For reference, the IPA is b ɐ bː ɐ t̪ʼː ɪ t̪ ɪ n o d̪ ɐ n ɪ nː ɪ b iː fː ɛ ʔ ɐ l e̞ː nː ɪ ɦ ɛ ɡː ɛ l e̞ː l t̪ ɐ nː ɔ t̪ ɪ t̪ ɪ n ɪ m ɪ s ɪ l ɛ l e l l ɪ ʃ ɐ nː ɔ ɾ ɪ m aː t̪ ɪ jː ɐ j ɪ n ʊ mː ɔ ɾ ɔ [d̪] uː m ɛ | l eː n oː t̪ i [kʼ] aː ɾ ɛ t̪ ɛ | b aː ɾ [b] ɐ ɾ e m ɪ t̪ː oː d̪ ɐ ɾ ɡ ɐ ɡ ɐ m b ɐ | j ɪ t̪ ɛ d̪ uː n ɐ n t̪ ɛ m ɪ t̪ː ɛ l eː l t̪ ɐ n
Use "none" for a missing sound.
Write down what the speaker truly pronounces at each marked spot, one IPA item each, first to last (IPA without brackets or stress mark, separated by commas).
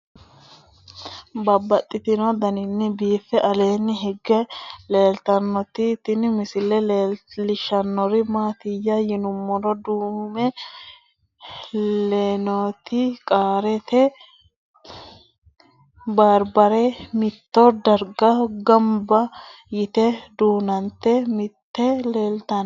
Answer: d̪, kʼ, b